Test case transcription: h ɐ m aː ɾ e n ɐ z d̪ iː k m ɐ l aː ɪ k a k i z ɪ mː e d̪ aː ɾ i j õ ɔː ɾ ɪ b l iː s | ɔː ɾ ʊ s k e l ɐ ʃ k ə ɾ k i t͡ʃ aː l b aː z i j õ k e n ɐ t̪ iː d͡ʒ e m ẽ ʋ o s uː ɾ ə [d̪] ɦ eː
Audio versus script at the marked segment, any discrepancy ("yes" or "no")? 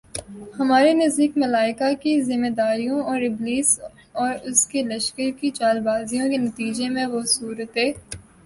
yes